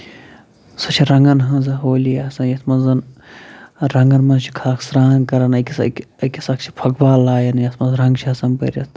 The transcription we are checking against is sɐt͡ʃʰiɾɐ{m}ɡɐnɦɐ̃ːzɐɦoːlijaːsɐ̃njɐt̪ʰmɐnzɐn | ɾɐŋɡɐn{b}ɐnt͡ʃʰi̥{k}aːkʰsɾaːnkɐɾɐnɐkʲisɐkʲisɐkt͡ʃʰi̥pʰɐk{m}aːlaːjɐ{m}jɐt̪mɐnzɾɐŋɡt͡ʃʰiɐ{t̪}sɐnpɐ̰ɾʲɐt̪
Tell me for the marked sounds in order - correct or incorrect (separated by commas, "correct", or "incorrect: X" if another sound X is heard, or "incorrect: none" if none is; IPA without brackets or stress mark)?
incorrect: ŋ, incorrect: m, incorrect: kʰ, incorrect: b, incorrect: n, incorrect: none